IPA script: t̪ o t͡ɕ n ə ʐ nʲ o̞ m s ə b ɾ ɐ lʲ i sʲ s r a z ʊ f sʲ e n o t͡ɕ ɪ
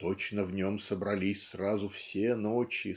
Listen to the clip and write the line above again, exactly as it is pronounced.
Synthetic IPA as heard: t̪ o t͡ɕ n ə v nʲ o̞ m s ə b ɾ ɐ lʲ i sʲ s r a z ʊ f sʲ e n o t͡ɕ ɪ